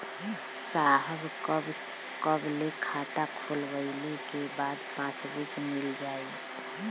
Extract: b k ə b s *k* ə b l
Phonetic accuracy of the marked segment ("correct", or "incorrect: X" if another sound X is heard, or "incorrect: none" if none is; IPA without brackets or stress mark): correct